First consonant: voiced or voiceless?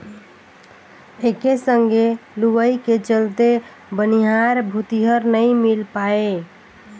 voiceless